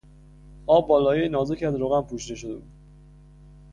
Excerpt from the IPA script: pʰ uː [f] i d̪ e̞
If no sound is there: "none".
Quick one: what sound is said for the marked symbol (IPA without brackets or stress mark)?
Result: ʃ